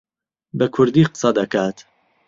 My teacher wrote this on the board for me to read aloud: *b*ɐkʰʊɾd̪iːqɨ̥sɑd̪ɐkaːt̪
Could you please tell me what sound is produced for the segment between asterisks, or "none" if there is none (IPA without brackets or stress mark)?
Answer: b